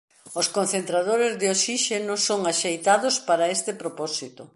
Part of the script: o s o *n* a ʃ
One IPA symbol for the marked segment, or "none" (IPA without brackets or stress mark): ŋ